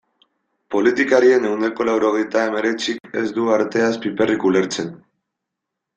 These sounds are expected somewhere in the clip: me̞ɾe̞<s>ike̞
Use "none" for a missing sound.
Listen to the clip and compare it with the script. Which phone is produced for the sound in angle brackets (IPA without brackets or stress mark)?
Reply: t͡s